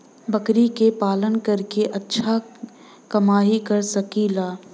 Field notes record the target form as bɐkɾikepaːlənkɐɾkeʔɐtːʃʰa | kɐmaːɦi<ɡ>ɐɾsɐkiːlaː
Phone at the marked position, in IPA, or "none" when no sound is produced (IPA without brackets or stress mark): k